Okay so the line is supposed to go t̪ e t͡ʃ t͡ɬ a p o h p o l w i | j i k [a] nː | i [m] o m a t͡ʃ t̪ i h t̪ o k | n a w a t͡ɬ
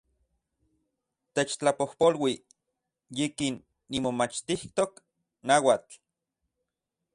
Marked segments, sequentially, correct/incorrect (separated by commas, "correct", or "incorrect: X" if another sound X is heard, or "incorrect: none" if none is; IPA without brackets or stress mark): incorrect: i, correct